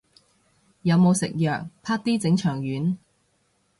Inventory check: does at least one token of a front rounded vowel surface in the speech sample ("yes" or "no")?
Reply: yes